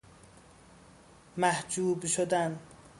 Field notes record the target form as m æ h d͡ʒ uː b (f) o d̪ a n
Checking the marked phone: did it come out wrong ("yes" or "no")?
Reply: yes